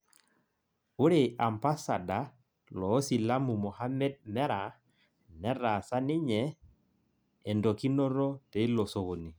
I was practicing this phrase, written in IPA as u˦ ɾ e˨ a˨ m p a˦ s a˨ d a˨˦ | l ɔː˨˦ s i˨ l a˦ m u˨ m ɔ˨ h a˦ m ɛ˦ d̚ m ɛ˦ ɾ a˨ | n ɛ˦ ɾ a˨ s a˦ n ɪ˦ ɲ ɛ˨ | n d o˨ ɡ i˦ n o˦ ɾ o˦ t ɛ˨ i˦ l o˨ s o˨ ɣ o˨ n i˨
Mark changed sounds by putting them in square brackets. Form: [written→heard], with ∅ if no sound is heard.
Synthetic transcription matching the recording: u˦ ɾ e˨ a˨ m p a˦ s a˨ d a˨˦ | l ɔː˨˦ s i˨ l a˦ m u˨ m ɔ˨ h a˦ m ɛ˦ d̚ m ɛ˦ ɾ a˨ | n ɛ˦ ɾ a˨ s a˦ n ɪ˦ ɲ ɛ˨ | n d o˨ [ɡ→k] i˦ n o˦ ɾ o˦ t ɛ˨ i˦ l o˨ s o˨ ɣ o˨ n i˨